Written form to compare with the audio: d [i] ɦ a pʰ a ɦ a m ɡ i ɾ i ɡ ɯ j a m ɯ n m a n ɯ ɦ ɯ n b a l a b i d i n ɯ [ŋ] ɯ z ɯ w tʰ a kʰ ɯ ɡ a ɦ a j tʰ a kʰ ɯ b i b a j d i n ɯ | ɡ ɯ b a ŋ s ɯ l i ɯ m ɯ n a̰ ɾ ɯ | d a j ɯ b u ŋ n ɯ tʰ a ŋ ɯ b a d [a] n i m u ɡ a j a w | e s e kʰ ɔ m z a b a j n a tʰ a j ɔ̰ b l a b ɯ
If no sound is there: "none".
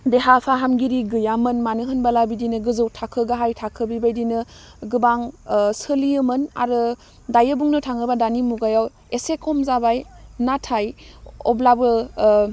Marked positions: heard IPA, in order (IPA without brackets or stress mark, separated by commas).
e, ɡ, a